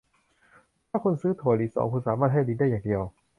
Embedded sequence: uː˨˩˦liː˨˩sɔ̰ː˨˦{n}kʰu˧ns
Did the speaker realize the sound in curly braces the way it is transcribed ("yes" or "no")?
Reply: no